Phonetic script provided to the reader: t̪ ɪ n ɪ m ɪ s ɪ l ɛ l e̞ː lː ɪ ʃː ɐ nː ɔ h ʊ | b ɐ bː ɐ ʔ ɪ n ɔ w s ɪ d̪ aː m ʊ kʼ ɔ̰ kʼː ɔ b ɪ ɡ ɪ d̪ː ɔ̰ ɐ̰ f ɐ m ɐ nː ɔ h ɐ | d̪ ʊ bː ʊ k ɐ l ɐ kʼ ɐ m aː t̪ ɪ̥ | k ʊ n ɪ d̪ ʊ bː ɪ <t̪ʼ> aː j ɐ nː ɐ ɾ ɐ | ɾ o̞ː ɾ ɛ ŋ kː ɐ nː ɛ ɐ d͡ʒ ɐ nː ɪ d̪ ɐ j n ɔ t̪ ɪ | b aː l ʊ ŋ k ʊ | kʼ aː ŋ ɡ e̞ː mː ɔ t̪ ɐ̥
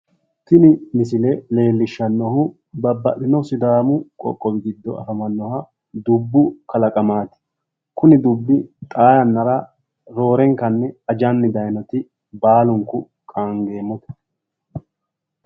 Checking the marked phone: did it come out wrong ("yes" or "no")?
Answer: no